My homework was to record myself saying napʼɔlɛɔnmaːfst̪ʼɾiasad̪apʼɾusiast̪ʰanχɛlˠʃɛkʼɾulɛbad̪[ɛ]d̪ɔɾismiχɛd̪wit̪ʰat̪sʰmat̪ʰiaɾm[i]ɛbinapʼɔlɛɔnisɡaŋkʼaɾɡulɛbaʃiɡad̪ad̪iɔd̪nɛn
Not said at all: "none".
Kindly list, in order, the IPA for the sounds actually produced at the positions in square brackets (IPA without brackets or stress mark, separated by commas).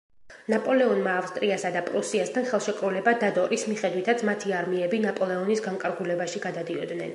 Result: a, i